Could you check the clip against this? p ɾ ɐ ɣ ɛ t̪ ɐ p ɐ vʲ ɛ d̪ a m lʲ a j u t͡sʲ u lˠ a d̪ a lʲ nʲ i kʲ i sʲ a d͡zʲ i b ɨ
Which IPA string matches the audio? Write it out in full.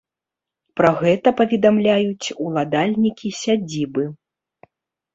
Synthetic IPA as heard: p ɾ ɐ ɣ ɛ t̪ ɐ p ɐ vʲ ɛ d̪ a m lʲ a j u t͡sʲ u lˠ a d̪ a lʲ nʲ i kʲ i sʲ a d͡zʲ i b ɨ